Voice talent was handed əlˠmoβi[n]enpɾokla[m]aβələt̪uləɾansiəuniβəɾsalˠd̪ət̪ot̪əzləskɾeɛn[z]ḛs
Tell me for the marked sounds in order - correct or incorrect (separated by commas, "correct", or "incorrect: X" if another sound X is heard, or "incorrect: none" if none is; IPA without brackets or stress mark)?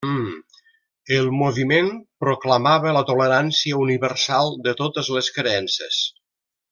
incorrect: m, correct, incorrect: s